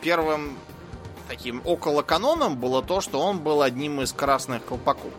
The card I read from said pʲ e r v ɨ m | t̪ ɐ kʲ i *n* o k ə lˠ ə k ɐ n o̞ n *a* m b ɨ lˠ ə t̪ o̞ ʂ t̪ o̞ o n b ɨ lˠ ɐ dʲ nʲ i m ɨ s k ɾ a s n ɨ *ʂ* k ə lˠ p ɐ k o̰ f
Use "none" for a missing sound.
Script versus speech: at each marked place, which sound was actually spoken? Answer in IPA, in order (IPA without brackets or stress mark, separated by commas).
m, ə, x